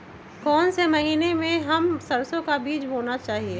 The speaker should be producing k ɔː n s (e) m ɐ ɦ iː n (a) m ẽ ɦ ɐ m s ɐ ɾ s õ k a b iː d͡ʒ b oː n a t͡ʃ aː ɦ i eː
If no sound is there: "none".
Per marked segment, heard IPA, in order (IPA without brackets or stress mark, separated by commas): e, e